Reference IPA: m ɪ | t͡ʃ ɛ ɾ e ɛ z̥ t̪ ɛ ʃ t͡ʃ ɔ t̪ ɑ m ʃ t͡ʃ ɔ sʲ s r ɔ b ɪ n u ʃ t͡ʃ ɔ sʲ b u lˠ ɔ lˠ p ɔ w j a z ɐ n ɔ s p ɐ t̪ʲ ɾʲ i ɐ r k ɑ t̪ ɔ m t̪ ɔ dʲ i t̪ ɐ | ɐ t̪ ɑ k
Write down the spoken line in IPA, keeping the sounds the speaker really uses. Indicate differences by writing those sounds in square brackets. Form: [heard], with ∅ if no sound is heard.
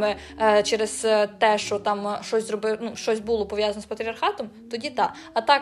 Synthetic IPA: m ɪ | t͡ʃ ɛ ɾ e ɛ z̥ t̪ ɛ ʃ t͡ʃ ɔ t̪ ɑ m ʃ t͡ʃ ɔ sʲ [z] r ɔ b ɪ n u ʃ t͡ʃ ɔ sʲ b u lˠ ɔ [∅] p ɔ [ʋ] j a z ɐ n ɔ s p ɐ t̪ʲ ɾʲ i ɐ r [x] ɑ t̪ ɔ m t̪ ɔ dʲ i t̪ [ɑ] | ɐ t̪ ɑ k